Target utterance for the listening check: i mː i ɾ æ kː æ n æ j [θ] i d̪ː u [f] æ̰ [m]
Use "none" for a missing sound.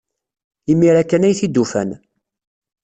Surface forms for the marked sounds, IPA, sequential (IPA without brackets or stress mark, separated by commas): θ, f, n